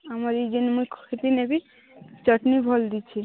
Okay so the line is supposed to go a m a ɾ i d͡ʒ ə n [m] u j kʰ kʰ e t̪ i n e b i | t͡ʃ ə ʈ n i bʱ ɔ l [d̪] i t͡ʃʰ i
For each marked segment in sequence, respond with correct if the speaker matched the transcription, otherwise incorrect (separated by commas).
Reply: correct, correct